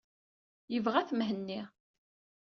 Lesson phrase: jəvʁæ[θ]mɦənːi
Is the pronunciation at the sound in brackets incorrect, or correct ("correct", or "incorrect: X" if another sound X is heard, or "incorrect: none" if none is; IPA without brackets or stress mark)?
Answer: correct